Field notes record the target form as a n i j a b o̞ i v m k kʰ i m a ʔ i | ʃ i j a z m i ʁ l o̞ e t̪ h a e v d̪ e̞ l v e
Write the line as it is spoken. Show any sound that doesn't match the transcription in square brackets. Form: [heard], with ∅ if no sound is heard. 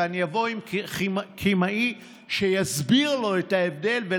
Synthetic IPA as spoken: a n i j a [v] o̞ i [∅] m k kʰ i m a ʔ i | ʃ [e] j a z [b] i ʁ l o̞ e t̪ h a e v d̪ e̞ l v e